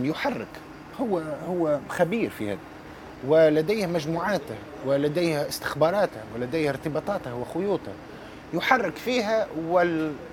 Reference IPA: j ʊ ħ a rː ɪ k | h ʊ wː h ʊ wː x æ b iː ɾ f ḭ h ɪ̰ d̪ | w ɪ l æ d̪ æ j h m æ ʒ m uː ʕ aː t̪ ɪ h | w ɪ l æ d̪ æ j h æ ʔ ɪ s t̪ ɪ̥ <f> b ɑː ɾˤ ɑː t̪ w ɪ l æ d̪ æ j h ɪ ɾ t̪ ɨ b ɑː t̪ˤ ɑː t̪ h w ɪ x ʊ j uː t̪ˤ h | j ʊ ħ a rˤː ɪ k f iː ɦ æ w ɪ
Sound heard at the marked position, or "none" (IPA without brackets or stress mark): x